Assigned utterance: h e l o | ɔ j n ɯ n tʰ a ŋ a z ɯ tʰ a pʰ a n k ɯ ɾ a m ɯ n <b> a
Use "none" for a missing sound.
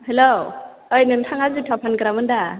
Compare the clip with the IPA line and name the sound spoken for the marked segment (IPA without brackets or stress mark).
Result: d